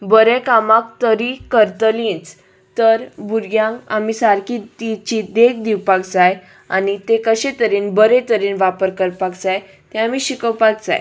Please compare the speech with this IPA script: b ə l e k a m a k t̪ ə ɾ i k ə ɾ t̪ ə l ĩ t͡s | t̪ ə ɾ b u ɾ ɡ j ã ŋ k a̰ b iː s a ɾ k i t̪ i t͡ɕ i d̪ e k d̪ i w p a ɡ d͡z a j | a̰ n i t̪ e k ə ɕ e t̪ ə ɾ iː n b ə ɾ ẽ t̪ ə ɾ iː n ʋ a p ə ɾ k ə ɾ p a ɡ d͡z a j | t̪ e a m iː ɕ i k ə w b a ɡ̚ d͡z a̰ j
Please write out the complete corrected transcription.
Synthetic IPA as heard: b ə ɾ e k a m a k t̪ ə ɾ i k ə ɾ t̪ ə l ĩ t͡s | t̪ ə ɾ b u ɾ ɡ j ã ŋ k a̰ m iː s a ɾ k i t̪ i t͡ɕ i d̪ e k d̪ i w p a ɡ d͡z a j | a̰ n i t̪ e k ə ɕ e t̪ ə ɾ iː n b ə ɾ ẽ t̪ ə ɾ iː n ʋ a p ə ɾ k ə ɾ p a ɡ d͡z a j | t̪ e a m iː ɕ i k ə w p a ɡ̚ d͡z a̰ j